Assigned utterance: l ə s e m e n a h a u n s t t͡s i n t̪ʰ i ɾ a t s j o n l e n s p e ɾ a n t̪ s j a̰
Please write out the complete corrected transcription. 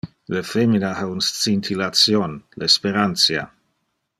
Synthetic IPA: l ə f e m i n a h a u n s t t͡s i n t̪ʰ i l a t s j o n l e s p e ɾ a n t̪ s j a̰